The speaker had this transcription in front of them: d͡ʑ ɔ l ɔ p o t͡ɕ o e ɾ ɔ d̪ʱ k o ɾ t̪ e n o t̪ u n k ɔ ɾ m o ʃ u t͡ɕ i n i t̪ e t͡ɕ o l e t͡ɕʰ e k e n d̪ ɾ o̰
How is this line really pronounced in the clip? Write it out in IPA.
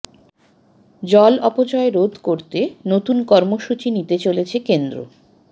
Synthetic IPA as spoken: d͡ʑ ɔ l ɔ p o t͡ɕ ɔ e ɾ o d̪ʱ k o ɾ t̪ e n o t̪ u n k ɔ ɾ m o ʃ u t͡ɕ i n i t̪ e t͡ɕ o l e t͡ɕʰ e k e n d̪ ɾ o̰